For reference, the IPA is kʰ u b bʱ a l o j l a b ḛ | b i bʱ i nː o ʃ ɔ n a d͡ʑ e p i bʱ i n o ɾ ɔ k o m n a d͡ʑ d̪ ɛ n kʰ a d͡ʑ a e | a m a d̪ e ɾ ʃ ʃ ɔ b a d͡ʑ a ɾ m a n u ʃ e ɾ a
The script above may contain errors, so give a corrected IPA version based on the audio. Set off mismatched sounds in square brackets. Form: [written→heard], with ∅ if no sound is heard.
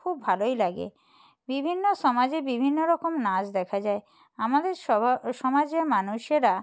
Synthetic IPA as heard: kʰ u b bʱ a l o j l a [b→ɡ] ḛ | b i bʱ i nː o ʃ ɔ [n→m] a d͡ʑ e [p→b] i bʱ i [n→nː] o ɾ ɔ k o m n a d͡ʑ d̪ ɛ [n→∅] kʰ a d͡ʑ a e | a m a d̪ e ɾ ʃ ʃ ɔ [b→m] a d͡ʑ [a→e] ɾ m a n u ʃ e ɾ a